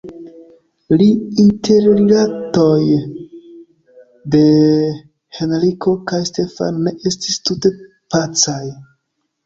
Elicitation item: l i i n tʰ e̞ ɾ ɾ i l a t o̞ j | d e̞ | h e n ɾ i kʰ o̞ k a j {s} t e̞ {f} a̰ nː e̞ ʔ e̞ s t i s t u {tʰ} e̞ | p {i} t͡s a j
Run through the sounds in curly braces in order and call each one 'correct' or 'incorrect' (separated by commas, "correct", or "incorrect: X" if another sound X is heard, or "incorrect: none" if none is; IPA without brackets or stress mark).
correct, correct, incorrect: t, incorrect: a